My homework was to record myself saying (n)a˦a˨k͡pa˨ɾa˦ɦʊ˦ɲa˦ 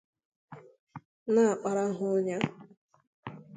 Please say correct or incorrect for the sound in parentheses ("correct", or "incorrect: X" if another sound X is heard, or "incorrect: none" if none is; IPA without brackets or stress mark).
correct